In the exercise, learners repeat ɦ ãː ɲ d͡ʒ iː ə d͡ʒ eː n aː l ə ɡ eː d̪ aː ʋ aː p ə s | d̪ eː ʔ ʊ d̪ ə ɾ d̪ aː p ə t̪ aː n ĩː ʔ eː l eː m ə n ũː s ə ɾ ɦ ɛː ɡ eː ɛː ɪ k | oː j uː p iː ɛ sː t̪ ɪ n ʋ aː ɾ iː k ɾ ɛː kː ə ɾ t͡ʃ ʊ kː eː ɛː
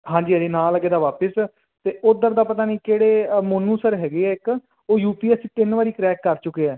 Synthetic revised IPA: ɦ ãː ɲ d͡ʒ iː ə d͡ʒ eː n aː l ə ɡ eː d̪ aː ʋ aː p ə s | t̪ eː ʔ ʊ d̪ ə ɾ d̪ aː p ə t̪ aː n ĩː k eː ɽ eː m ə n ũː s ə ɾ ɦ ɛː ɡ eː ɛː ɪ k | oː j uː p iː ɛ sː t̪ ɪ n ʋ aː ɾ iː k ɾ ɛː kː ə ɾ t͡ʃ ʊ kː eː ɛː